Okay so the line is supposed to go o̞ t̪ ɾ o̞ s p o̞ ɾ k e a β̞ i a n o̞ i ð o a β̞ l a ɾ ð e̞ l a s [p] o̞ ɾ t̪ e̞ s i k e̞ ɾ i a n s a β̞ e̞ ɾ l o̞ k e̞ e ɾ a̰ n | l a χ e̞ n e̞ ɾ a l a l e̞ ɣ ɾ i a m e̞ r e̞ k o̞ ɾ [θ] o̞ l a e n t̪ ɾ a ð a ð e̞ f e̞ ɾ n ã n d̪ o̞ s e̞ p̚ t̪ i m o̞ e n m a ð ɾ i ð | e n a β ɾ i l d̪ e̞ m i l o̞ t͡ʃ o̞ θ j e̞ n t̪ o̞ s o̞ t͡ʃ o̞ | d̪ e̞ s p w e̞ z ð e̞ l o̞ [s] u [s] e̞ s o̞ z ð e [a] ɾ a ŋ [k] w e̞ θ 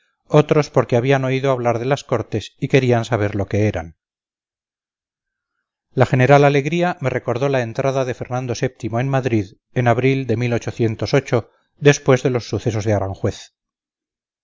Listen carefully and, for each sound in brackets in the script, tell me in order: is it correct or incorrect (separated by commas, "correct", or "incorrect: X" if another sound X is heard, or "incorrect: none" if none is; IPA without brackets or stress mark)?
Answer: incorrect: k, incorrect: ð, incorrect: sː, incorrect: θ, correct, incorrect: x